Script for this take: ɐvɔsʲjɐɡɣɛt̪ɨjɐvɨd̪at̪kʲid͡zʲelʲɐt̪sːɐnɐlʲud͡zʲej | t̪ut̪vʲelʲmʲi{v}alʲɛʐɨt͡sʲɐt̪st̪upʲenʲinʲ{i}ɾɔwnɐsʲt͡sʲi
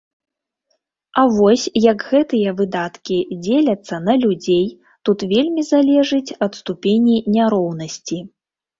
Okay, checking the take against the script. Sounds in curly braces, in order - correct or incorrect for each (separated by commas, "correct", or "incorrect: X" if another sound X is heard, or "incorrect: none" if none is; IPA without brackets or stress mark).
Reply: incorrect: z, incorrect: a